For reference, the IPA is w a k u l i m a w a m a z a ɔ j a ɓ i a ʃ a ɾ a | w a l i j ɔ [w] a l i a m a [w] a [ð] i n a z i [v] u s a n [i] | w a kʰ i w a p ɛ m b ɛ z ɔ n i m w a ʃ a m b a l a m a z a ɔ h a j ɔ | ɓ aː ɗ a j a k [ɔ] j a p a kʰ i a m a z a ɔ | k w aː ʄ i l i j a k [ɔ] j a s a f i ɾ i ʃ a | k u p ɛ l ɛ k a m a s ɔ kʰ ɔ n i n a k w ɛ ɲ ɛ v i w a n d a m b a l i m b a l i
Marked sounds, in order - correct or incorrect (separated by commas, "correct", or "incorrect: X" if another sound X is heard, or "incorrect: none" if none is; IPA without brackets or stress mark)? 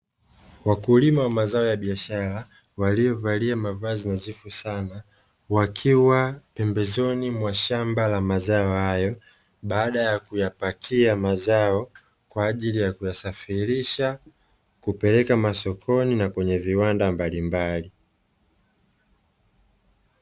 incorrect: v, incorrect: v, incorrect: z, incorrect: f, incorrect: a, incorrect: u, incorrect: u